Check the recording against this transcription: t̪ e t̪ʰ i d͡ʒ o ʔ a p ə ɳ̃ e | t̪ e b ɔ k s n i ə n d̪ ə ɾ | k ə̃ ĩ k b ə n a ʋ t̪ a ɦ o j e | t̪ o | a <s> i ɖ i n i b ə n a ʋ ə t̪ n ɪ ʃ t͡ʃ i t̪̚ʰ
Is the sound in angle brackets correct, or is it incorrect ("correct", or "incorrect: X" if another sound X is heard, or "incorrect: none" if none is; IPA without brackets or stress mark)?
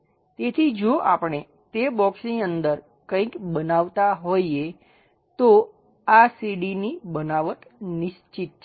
correct